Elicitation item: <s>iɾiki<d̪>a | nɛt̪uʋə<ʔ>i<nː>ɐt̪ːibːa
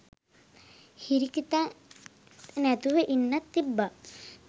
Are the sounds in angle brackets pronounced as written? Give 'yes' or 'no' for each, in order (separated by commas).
no, no, yes, yes